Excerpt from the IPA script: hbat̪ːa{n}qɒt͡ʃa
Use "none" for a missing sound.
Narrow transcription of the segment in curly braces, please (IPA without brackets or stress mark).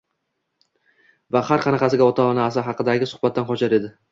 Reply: n